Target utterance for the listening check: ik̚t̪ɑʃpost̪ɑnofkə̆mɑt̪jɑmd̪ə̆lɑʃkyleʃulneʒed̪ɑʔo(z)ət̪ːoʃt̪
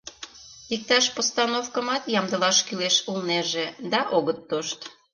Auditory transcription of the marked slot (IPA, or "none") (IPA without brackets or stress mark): ɣ